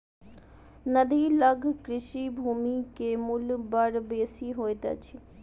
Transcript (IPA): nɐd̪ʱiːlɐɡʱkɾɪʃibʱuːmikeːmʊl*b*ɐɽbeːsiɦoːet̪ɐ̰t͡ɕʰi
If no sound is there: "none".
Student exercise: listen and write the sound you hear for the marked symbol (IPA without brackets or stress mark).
b